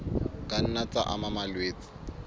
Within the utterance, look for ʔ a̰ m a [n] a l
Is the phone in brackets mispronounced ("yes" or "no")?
yes